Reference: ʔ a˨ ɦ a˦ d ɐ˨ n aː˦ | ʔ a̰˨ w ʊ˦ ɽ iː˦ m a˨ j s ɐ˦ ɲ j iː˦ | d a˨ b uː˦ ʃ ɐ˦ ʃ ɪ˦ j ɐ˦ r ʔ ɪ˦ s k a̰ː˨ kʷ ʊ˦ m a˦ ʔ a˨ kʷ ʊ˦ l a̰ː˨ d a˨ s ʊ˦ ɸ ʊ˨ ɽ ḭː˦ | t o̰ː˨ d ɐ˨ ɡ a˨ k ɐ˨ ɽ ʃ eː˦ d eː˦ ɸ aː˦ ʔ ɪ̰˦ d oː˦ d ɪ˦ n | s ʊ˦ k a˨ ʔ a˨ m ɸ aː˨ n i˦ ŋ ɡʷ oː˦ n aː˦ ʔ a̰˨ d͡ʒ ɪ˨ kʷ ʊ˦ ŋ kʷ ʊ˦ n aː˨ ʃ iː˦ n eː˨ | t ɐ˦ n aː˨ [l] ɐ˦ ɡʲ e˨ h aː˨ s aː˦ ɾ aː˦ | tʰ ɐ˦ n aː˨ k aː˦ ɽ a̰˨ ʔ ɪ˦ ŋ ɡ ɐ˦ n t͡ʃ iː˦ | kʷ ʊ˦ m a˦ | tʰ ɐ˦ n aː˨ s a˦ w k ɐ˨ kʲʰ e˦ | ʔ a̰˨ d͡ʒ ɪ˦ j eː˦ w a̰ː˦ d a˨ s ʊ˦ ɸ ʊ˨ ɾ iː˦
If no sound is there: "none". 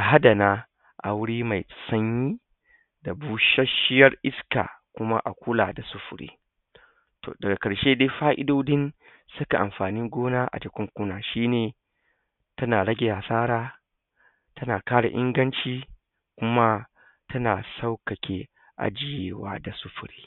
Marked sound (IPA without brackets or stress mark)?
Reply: ɽ